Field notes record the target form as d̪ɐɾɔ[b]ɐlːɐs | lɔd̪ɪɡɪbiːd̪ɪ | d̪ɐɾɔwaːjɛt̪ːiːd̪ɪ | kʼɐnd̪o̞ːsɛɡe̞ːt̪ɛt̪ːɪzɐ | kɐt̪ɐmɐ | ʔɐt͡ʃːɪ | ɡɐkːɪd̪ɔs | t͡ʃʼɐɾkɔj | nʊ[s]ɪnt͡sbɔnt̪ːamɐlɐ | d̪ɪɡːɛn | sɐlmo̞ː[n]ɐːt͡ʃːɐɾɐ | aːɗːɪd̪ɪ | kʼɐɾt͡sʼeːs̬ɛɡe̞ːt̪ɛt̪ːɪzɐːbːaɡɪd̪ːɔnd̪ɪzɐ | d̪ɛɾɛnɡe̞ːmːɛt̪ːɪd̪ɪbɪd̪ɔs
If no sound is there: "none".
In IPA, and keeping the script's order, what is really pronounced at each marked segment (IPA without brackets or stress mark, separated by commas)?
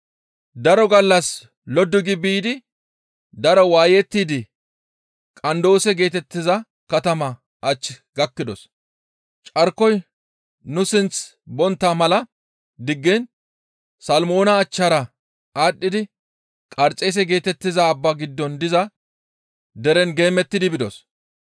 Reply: ɡ, s, n